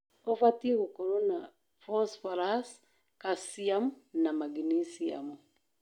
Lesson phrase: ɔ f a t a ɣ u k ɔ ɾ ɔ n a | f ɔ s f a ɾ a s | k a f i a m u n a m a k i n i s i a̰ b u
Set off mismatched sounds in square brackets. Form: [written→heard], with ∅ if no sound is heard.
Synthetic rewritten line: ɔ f a t [a→i] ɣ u k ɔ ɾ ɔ n a | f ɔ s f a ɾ a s | k a [f→s] i a m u n a m a [k→ɡ] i n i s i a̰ [b→m] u

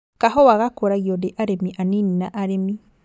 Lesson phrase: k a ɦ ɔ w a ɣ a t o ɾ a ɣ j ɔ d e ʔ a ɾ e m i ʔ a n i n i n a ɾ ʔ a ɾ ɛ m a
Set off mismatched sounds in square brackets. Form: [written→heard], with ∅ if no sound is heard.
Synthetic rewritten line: k a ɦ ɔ w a ɣ a [t→k] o ɾ a ɣ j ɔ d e ʔ a ɾ e m i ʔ a n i n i n a [ɾ→∅] ʔ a ɾ [ɛ→e] m [a→i]

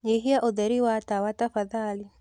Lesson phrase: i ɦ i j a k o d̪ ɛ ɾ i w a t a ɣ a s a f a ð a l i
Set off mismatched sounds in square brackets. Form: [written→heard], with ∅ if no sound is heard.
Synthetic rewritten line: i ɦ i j a [k→ʔ] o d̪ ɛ ɾ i w a t a [ɣ→w] a [s→t] a f a ð a l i

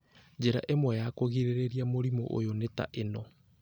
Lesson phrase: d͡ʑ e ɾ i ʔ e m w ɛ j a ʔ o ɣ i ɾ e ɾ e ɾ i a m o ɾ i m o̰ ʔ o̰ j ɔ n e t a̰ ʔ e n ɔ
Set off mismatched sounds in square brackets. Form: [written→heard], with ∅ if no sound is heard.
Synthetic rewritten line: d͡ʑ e ɾ [i→a] ʔ e m w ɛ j a [ʔ→k] o ɣ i ɾ e ɾ e ɾ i a m o ɾ i m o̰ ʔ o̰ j [ɔ→o] n e t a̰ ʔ e n ɔ

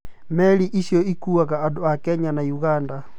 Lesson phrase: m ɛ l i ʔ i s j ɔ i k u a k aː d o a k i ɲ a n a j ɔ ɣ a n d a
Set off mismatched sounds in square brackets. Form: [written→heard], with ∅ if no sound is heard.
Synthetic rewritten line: m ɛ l i ʔ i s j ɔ i k u a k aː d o a k [i→ɛ] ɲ a n a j [ɔ→u] ɣ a n d a

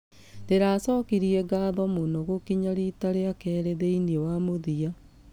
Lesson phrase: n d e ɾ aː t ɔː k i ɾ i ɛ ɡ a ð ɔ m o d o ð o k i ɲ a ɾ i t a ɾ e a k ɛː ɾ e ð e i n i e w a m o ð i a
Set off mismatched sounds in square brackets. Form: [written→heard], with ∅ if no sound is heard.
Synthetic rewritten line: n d e ɾ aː [t→s] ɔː k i ɾ i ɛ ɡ a ð ɔ m o [d→n] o [ð→ɣ] o k i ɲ a ɾ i t a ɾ e a k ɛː ɾ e ð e i n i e w a m o ð i a

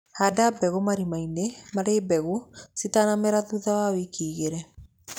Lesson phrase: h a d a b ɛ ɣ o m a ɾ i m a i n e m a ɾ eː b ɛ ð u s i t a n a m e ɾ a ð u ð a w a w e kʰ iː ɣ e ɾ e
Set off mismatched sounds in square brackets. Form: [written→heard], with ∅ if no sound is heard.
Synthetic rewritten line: h a d a b ɛ ɣ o m a ɾ i m a i n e m a ɾ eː b ɛ [ð→ɣ] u s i t a n a m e ɾ a ð u ð a w a w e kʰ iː ɣ e ɾ [e→ɛ]

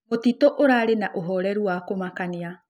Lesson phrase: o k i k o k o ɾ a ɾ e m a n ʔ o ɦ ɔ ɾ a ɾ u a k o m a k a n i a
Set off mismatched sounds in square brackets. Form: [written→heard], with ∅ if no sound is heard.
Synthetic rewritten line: o [k→t] i [k→t] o [k→ʔ] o ɾ a ɾ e [m→n] a [n→∅] ʔ o ɦ ɔ ɾ [a→ɛ] ɾ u a k o m a k a n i a

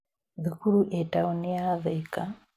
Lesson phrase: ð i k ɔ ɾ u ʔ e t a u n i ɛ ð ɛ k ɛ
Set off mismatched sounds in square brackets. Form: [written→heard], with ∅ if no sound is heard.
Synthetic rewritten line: ð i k [ɔ→u] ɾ u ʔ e t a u n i [ɛ→a] ð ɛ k [ɛ→a]

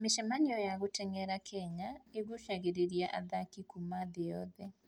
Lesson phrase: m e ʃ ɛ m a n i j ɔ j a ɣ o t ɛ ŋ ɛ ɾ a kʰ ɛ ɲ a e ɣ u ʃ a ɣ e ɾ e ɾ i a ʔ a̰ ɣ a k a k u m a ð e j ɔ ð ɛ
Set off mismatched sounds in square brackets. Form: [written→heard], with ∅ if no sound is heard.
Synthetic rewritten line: m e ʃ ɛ m a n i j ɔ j a ɣ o t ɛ ŋ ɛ ɾ a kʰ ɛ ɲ a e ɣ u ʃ a ɣ e ɾ e ɾ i a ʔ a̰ [ɣ→ð] a k [a→i] k u m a ð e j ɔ ð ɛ

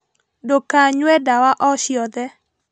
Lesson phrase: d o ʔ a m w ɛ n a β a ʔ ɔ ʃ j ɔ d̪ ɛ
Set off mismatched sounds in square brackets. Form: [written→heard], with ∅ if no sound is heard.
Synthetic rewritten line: d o [ʔ→k] a [m→ɲ] w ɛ [n→d] a [β→w] a ʔ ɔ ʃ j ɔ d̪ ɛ

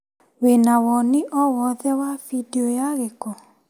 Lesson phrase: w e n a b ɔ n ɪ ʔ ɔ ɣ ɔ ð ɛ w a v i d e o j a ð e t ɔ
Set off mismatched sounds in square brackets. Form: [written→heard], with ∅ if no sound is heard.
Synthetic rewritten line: w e n a [b→w] ɔ n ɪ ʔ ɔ [ɣ→w] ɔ ð ɛ w a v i d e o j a [ð→ɣ] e [t→k] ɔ

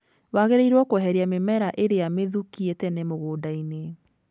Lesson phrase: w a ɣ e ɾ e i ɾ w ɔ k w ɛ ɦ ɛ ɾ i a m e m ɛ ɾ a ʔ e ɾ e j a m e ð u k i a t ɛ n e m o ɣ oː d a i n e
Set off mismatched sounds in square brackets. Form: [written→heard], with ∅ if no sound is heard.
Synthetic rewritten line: w a ɣ e ɾ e i ɾ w ɔ k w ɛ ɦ ɛ ɾ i a m e m ɛ ɾ a ʔ e ɾ e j a m e ð u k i [a→e] t ɛ n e m o ɣ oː d a i n e

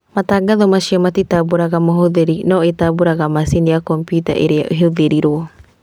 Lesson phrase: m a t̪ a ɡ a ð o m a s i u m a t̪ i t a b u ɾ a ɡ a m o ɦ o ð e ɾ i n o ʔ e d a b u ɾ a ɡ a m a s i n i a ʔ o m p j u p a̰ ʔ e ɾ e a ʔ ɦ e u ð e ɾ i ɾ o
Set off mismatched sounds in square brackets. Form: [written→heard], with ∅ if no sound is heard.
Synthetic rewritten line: m a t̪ a ɡ a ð o m a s i [u→o] m a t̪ i t a b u ɾ a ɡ a m o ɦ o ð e ɾ i n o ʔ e [d→t] a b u ɾ a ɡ a m a s i n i a [ʔ→k] o m p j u [p→t] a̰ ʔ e ɾ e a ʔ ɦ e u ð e ɾ i ɾ o

